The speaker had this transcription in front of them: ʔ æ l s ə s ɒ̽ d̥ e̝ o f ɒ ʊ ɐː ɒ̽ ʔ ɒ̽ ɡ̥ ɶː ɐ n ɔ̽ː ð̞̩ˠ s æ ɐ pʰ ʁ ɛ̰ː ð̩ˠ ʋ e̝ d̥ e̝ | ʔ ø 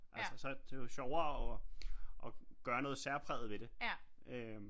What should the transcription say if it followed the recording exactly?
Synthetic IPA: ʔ æ l s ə s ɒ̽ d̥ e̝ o ɕ ɒ ʊ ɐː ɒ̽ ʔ ɒ̽ ɡ̥ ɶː ɐ n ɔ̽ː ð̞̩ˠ s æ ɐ pʰ ʁ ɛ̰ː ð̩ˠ ʋ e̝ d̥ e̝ | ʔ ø